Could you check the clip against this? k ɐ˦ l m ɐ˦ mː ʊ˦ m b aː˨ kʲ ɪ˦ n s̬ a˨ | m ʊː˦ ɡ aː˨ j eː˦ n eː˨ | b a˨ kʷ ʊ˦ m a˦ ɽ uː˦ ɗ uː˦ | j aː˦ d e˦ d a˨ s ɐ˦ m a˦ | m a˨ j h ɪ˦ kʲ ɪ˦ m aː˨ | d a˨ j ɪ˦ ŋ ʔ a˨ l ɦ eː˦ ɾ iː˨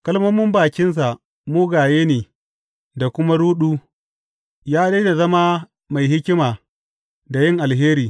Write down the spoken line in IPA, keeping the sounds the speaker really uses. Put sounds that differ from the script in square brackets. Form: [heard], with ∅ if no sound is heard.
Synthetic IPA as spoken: k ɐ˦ l m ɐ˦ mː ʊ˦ m b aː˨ kʲ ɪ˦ n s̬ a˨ | m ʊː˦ ɡ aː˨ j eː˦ n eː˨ | [d] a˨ kʷ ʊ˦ m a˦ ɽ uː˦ ɗ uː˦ | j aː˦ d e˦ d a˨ [z] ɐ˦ m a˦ | m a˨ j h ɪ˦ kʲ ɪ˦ m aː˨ | d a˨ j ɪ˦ ŋ ʔ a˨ l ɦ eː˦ ɾ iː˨